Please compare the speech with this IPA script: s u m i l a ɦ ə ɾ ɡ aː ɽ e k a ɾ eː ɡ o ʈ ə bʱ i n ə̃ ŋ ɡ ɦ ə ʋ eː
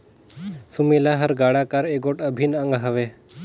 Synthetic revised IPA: s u m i l a ɦ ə ɾ ɡ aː ɽ a k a ɾ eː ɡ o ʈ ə bʱ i n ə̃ ŋ ɡ ɦ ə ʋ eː